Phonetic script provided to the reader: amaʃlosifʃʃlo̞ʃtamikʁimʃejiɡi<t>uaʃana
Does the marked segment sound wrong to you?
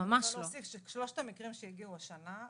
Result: yes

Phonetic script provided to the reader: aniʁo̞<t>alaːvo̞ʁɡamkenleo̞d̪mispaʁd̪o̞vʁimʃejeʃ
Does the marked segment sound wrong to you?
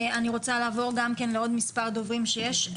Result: yes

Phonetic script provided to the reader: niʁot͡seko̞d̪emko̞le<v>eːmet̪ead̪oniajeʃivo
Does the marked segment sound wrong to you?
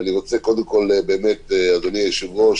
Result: yes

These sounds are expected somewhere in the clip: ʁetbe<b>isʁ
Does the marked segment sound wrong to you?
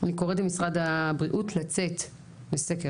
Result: yes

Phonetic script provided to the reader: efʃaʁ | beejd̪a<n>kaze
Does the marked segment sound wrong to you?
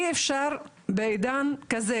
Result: no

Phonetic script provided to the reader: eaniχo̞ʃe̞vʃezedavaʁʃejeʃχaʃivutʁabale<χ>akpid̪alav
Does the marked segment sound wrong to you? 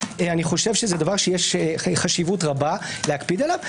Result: yes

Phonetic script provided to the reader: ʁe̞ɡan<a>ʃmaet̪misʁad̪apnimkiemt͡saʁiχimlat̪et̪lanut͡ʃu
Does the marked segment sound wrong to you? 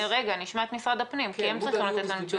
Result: yes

